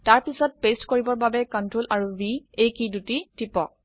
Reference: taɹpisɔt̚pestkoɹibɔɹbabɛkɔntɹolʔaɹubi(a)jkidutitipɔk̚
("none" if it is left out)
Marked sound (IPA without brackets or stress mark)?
e